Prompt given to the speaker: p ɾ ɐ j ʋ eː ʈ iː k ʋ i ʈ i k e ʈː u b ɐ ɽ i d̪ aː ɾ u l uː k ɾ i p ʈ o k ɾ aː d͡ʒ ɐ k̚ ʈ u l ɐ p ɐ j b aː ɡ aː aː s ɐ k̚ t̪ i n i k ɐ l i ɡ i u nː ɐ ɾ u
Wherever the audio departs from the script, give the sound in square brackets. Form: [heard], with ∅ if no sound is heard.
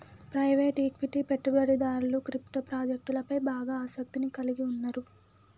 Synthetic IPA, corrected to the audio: p ɾ ɐ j ʋ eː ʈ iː k ʋ i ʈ i [p] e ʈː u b ɐ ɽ i d̪ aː ɾ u l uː k ɾ i p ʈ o [p] ɾ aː d͡ʒ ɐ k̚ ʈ u l ɐ p ɐ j b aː ɡ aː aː s ɐ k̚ t̪ i n i k ɐ l i ɡ i u nː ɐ ɾ u